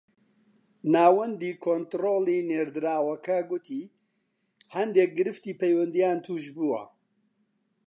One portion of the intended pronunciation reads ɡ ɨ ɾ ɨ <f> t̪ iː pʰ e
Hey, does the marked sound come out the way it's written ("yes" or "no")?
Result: yes